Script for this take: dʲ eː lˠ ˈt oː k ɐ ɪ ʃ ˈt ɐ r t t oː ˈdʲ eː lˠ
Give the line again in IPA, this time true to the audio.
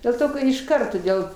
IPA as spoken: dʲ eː lˠ ˈt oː k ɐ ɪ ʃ ˈk ɐ r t t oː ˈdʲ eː lˠ